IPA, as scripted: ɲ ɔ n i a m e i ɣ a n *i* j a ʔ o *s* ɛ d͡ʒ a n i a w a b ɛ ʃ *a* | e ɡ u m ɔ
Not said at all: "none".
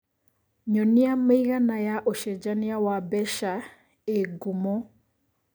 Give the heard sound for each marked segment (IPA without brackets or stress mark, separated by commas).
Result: a, ʃ, a